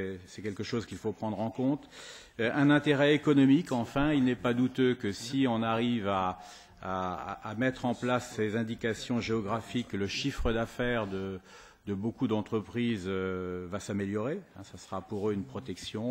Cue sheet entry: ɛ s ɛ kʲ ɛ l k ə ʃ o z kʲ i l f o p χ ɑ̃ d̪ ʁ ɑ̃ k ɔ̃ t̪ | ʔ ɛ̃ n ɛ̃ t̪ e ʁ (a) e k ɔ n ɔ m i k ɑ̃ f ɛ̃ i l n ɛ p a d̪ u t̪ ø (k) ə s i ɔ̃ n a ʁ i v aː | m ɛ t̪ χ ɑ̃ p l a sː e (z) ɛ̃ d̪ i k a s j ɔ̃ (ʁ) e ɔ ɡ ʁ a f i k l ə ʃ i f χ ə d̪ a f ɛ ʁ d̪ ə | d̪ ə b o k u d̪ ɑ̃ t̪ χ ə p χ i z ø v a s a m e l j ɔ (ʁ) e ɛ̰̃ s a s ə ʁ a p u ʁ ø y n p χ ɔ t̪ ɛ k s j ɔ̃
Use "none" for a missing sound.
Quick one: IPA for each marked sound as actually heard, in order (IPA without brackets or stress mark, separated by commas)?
ɛ, k, z, ʒ, ʁ